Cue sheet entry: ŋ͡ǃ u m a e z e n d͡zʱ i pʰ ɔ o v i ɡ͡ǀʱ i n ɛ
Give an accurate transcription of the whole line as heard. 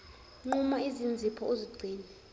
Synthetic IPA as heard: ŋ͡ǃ u m a i z i n d͡zʱ i pʰ ɔ o z i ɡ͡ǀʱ iː n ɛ